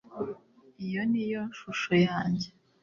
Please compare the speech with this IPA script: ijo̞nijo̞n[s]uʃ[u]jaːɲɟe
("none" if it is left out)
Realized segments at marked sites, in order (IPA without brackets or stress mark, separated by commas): ʃ, o